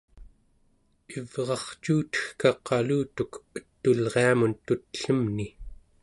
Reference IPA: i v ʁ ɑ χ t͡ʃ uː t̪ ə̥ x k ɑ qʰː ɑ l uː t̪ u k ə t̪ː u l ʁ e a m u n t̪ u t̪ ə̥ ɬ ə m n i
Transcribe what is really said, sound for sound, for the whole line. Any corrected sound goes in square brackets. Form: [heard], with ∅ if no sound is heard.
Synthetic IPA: i v ʁ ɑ χ t͡ʃ uː t̪ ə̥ x k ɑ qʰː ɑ l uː t̪ u k ə t̪ː u l ʁ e a m u n t̪ u t̪ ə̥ ɬ ə m n i